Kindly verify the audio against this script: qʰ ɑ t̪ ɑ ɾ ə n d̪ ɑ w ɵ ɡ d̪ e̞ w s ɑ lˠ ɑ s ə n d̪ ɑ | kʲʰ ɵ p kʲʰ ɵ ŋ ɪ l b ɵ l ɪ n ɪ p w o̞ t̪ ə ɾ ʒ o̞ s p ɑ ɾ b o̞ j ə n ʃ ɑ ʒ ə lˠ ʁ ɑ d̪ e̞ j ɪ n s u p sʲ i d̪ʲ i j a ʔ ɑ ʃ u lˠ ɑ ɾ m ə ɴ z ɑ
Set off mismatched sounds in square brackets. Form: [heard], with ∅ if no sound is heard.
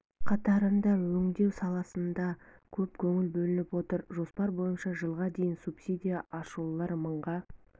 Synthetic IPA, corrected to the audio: qʰ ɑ t̪ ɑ ɾ ə n d̪ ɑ w ɵ [ŋ] d̪ e̞ w s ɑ lˠ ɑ s ə n d̪ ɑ | kʲʰ ɵ p kʲʰ ɵ ŋ ɪ l b ɵ l ɪ n ɪ p w o̞ t̪ ə ɾ ʒ o̞ s p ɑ ɾ b o̞ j ə n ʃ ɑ ʒ ə lˠ ʁ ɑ d̪ e̞ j ɪ n s u p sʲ i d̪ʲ i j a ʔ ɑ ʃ u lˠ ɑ ɾ m ə ɴ [ʁ] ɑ